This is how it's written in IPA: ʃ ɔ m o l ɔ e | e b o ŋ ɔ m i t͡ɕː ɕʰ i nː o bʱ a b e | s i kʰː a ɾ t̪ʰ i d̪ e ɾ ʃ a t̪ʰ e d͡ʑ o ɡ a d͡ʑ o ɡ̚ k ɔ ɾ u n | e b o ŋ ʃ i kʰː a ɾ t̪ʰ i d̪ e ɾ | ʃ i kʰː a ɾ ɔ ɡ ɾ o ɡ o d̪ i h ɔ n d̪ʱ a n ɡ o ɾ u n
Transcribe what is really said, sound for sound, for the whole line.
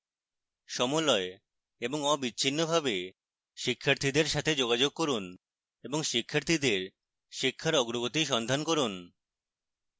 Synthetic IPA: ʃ ɔ m o l ɔ e | e b o ŋ ɔ b i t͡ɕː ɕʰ i nː o bʱ a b e | ʃ i kʰː a ɾ t̪ʰ i d̪ e ɾ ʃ a t̪ʰ e d͡ʑ o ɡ a d͡ʑ o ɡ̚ k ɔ ɾ u n | e b o ŋ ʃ i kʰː a ɾ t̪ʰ i d̪ e ɾ | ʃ i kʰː a ɾ ɔ ɡ ɾ o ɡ o t̪ i ʃ ɔ n d̪ʱ a n k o ɾ u n